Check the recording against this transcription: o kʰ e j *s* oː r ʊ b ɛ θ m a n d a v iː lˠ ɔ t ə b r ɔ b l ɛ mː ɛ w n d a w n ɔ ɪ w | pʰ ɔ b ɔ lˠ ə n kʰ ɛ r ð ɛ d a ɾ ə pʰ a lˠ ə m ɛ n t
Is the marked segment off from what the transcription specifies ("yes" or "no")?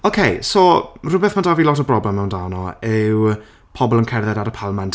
no